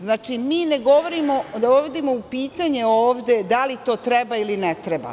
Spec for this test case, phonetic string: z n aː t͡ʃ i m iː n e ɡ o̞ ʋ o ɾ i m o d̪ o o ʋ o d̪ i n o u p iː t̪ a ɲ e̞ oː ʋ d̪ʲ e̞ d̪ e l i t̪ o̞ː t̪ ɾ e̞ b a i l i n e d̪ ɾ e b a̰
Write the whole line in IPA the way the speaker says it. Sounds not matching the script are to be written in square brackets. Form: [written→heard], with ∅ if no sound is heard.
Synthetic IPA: z n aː t͡ʃ i m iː n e ɡ o̞ ʋ o ɾ i m o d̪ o o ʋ o d̪ i [n→m] o u p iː t̪ a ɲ e̞ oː ʋ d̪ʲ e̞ d̪ [e→a] l i t̪ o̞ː t̪ ɾ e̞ b a i l i n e [d̪→t̪] ɾ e b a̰